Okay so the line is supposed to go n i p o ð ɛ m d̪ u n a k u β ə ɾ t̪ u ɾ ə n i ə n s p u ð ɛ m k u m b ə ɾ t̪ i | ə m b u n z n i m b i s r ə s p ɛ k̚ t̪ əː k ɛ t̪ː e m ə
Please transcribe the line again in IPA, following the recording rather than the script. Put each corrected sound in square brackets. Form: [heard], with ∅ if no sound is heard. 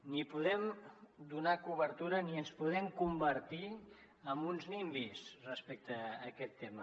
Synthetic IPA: n i p [u] ð ɛ m d̪ u n a k u β ə ɾ t̪ u ɾ ə n i ə n s p u ð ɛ m k u m b ə ɾ t̪ i | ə m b u n z n i m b i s r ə s p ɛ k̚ t̪ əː k ɛ t̪ː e m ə